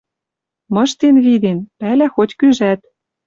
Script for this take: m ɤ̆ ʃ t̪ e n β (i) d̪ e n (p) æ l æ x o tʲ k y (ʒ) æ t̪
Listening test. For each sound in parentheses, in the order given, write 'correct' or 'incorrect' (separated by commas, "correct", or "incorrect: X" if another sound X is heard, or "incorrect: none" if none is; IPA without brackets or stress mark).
correct, correct, correct